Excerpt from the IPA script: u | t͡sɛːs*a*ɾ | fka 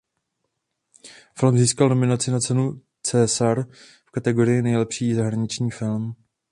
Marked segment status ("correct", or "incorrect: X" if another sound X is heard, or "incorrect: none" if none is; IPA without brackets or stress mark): correct